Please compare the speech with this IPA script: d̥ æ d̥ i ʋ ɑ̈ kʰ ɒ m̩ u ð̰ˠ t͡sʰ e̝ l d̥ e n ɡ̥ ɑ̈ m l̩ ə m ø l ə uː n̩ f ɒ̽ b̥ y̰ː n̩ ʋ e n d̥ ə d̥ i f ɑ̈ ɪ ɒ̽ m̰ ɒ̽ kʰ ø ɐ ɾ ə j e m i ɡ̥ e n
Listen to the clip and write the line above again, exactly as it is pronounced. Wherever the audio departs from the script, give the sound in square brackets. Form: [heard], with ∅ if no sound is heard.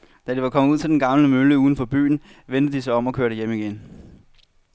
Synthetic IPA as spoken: d̥ æ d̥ i ʋ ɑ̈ kʰ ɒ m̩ u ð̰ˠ t͡sʰ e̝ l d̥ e n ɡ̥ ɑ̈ m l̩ ə m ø l ə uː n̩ f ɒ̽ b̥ y̰ː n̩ ʋ e n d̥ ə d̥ i [s] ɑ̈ ɪ ɒ̽ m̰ ɒ̽ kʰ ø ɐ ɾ ə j e m i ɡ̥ e n